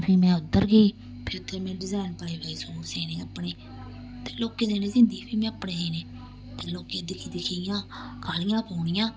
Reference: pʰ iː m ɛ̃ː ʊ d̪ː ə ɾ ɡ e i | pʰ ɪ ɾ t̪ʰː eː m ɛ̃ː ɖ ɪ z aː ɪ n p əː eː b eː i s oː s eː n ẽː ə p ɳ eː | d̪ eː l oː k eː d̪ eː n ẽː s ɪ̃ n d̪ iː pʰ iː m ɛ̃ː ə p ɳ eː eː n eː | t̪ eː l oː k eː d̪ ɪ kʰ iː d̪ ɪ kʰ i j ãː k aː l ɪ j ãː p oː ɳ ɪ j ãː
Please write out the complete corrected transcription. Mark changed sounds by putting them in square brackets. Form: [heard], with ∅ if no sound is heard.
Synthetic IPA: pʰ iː m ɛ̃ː ʊ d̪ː ə ɾ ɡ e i | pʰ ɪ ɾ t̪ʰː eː m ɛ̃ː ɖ ɪ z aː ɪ n p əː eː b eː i s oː s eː n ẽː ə p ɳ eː | [t̪] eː l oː k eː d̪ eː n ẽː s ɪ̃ n d̪ iː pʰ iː m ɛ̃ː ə p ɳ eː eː n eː | t̪ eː l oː k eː d̪ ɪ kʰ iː d̪ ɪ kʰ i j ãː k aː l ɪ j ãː p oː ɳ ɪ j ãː